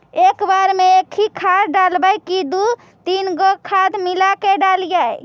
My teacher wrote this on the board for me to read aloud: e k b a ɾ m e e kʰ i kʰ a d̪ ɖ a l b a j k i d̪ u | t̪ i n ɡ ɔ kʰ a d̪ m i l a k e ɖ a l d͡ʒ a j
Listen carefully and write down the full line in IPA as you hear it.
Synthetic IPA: e k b a ɾ m e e kʰ i kʰ a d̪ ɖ a l b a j k i d̪ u | t̪ i n ɡ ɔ kʰ a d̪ m i l a k e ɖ a l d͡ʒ a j